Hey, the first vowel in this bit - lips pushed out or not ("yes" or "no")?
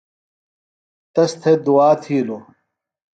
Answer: no